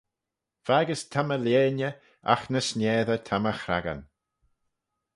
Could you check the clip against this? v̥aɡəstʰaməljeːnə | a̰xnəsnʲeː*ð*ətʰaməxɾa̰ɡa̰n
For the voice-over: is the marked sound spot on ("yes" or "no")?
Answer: yes